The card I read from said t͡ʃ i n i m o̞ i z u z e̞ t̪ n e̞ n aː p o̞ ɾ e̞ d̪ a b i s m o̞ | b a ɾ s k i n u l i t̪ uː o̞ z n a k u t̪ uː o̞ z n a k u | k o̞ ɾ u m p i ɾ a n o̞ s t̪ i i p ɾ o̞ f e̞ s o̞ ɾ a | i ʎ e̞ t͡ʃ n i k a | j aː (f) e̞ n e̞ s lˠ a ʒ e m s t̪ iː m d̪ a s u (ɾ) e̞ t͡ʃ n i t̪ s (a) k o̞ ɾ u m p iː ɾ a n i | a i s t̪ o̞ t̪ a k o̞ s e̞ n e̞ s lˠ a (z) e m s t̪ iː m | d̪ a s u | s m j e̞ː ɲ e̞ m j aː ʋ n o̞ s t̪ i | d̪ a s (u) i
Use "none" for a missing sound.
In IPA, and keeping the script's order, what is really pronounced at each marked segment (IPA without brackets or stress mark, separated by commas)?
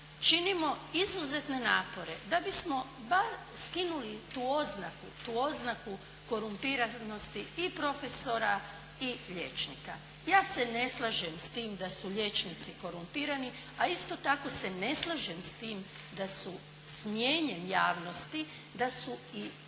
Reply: s, ʎ, i, ʒ, u